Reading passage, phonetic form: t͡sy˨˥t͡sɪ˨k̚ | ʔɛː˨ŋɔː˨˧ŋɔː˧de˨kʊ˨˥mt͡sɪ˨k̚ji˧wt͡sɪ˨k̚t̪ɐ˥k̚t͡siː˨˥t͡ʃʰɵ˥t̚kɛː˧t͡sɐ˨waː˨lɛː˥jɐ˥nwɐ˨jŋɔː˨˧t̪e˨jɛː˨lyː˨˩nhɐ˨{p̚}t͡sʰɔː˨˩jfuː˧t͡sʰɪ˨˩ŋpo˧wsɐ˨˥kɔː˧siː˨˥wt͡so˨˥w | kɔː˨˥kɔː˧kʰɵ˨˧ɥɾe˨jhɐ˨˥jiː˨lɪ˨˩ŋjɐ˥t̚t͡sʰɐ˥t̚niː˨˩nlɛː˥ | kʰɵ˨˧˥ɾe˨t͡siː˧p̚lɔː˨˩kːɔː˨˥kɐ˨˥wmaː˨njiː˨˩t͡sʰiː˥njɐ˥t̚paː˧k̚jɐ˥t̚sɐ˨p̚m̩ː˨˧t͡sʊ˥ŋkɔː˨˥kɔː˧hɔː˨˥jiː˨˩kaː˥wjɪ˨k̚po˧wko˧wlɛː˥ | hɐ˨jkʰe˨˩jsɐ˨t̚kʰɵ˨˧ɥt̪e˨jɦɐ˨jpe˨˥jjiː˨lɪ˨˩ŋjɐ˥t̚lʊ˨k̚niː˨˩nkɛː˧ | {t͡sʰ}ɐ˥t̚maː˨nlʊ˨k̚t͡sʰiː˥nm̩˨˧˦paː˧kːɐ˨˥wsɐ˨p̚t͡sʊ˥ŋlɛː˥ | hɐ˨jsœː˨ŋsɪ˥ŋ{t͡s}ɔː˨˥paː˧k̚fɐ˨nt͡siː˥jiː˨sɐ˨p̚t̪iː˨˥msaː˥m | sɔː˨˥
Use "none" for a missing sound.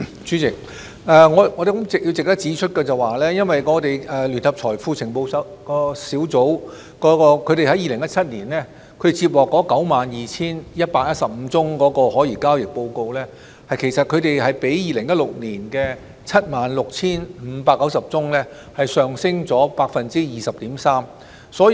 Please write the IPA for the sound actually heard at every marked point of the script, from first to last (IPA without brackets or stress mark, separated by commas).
p̚, t͡sʰ, t͡s